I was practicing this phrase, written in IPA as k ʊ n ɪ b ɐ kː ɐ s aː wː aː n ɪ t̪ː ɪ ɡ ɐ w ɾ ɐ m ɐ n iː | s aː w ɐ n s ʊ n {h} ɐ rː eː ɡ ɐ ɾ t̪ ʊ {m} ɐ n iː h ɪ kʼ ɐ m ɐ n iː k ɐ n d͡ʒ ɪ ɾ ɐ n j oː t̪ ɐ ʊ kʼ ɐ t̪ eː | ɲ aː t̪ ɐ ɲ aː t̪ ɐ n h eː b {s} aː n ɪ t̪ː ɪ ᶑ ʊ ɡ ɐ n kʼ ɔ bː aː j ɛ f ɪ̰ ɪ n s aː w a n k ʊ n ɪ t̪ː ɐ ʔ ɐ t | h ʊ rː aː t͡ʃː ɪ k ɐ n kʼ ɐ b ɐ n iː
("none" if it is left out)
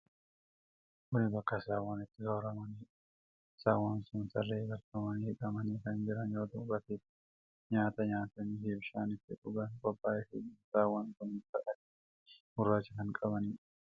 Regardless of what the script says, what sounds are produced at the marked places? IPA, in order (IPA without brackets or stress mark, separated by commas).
s, m, ʃ